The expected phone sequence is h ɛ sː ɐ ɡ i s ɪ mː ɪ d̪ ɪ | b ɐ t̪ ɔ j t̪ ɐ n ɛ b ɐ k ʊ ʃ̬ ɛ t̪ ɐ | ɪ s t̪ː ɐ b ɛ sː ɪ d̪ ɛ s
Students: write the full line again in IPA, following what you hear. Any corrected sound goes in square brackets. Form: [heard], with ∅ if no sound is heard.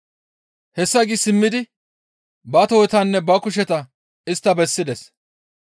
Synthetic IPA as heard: h ɛ sː ɐ ɡ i s ɪ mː ɪ d̪ ɪ | b ɐ t̪ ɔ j t̪ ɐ [nː] ɛ b ɐ k ʊ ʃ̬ ɛ t̪ ɐ | ɪ s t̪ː ɐ b ɛ sː ɪ d̪ ɛ s